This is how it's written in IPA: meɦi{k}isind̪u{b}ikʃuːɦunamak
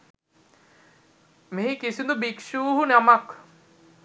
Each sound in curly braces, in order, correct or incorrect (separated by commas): correct, correct